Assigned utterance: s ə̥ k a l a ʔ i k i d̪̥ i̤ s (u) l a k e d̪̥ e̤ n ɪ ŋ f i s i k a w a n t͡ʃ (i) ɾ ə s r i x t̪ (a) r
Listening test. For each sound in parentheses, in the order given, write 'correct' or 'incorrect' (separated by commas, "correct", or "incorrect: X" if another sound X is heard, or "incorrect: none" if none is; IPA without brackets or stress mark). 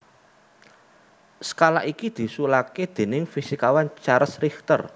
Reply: correct, incorrect: a, incorrect: ə